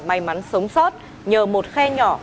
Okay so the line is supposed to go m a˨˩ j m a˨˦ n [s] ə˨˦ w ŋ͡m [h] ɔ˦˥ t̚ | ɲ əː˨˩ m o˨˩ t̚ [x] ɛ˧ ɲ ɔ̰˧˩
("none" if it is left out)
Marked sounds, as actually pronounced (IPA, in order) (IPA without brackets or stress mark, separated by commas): s, s, x